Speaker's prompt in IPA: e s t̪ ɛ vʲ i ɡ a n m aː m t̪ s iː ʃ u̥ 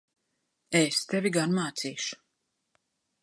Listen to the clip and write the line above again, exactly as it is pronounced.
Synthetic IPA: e s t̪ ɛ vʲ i ɡ a n m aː t̪ s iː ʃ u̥